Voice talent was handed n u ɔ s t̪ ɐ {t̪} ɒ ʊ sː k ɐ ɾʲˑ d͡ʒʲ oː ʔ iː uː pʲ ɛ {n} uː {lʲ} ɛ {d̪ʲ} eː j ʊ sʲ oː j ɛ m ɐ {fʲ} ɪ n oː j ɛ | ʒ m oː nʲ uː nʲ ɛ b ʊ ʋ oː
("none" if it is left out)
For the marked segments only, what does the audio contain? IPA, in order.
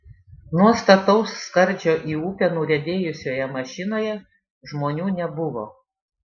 t̪, n, ɾʲ, d̪ʲ, ʃʲ

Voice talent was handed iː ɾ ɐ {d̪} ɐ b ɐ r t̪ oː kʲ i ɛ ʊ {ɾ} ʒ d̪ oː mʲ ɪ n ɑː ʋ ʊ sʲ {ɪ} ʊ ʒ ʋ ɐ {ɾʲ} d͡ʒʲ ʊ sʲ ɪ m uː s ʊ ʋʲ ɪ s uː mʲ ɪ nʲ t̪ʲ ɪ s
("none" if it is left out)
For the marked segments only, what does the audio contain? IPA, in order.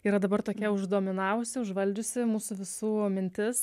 d̪, none, ɪ, lʲ

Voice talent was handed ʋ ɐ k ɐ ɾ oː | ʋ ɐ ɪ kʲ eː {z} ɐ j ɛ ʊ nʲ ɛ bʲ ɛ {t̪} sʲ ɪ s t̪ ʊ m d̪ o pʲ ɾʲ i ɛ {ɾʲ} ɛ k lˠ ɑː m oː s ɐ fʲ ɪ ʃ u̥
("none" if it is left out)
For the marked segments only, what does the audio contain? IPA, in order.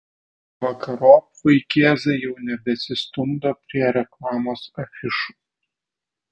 z, none, ɾʲ

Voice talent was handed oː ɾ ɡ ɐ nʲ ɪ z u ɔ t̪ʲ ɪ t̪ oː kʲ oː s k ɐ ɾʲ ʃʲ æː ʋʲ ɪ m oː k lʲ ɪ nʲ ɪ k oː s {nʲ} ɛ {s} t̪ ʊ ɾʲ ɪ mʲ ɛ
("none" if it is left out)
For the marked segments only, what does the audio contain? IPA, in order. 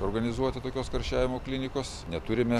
nʲ, none

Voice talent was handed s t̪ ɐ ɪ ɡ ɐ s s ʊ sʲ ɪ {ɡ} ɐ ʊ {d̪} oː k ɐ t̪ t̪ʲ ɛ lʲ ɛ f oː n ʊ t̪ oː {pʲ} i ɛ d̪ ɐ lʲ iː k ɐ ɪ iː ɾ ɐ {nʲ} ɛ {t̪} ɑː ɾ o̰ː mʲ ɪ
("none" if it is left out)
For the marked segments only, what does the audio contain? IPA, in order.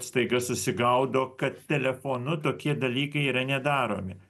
ɡ, d̪, kʲ, nʲ, d̪

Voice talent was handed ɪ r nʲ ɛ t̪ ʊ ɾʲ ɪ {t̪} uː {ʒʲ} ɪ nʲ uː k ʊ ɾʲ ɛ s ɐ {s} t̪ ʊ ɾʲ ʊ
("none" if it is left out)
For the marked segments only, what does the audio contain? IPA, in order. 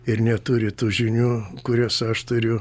t̪, ʒʲ, ʃ

